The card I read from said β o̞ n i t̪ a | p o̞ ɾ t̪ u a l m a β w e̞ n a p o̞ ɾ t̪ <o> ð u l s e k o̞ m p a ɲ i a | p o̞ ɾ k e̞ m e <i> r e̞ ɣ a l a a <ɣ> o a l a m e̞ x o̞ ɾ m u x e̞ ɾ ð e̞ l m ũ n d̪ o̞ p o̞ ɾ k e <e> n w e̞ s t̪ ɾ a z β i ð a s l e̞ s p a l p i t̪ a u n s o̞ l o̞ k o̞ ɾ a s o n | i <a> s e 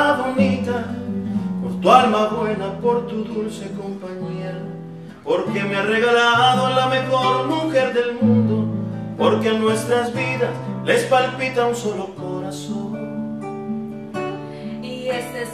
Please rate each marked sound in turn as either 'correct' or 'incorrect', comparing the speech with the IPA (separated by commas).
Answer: incorrect, incorrect, incorrect, incorrect, incorrect